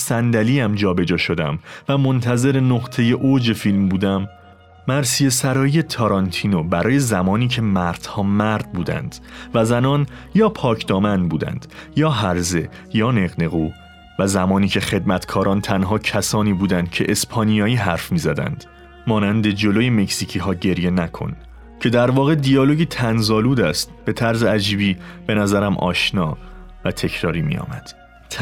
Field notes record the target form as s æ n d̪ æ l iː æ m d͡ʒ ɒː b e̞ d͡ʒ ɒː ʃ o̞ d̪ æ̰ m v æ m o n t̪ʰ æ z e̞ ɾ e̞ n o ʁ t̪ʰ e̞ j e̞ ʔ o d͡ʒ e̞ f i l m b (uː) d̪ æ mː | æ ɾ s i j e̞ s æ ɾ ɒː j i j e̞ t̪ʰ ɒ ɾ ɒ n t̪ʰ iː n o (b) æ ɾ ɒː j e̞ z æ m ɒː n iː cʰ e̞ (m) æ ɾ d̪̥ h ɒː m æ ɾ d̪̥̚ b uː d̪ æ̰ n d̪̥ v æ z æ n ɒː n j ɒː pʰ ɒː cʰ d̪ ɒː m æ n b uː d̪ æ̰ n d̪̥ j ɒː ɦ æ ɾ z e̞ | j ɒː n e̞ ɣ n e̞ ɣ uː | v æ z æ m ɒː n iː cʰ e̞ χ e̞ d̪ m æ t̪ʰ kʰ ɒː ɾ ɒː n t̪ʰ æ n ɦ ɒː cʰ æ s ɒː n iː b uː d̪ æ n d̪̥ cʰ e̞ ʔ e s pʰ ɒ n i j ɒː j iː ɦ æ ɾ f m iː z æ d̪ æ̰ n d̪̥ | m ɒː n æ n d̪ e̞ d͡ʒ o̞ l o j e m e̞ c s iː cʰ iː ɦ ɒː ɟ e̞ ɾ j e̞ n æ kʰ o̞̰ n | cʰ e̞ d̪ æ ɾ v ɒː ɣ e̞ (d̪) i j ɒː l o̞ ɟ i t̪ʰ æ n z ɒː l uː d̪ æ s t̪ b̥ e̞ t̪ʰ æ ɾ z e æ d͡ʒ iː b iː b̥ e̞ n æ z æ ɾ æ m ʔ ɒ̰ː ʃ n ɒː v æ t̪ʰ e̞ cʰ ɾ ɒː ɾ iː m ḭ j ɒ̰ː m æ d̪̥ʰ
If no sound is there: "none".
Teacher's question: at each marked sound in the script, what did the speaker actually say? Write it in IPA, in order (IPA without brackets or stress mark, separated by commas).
uː, b, m, d̪